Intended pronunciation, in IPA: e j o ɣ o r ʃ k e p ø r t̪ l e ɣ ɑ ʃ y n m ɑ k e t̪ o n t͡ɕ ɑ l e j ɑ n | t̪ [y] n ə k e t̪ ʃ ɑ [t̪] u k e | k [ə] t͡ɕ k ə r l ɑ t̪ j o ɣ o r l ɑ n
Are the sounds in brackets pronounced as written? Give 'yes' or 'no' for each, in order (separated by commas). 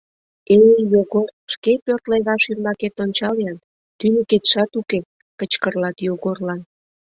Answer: yes, yes, yes